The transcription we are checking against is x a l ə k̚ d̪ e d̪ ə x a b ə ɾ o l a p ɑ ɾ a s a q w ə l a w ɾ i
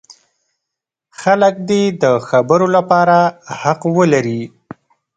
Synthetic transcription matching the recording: x a l ə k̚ d̪ e d̪ ə x a b ə ɾ o l a p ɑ ɾ a h a q w ə l a ɾ i